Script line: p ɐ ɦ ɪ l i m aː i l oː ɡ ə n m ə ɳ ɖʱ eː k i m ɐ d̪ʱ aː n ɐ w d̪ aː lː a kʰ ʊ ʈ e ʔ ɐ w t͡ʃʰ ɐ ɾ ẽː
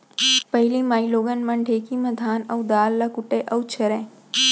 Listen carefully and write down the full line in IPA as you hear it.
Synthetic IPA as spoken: p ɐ ɦ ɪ l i m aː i l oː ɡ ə n m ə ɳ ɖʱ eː k i m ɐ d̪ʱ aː n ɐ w d̪ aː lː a k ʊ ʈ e ʔ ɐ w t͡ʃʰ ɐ ɾ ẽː